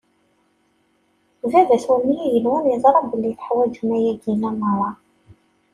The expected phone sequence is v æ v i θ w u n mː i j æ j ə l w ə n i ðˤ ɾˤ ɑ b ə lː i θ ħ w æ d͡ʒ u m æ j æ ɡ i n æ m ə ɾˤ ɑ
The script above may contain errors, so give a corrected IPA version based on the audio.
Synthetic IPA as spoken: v æ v æ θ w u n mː i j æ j ə l w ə n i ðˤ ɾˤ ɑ b ə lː i θ ħ w æ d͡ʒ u m æ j æ ɡ i n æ m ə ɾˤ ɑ